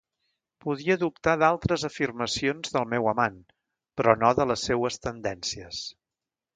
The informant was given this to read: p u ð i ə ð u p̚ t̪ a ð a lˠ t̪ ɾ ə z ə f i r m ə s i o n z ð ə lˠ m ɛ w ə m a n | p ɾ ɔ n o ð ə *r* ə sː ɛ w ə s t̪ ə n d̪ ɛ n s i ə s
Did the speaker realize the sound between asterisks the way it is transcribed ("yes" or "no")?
no